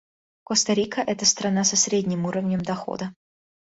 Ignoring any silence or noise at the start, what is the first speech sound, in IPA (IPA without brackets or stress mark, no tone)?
k